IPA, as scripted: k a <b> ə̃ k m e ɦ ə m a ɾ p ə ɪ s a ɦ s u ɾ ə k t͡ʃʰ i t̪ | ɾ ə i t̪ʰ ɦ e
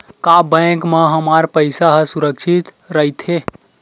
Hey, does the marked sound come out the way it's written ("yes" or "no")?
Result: yes